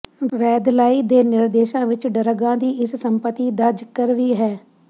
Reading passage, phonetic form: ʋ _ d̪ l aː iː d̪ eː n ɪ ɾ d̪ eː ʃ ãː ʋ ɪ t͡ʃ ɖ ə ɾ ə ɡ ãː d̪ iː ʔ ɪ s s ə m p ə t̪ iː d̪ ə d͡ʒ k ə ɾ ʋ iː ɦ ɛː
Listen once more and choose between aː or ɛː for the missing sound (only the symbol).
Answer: ɛː